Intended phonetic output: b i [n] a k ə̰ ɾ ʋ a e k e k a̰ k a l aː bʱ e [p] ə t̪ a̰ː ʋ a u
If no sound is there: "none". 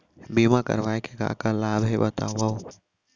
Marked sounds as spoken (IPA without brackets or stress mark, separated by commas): m, b